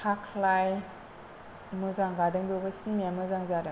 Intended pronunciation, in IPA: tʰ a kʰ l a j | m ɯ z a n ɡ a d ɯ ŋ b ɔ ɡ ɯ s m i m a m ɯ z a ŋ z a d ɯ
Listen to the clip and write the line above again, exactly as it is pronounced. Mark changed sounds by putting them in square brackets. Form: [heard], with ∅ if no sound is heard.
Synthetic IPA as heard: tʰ a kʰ l a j | m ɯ z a [ŋ] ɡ a d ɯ ŋ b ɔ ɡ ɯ s [n] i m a m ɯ z a ŋ z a d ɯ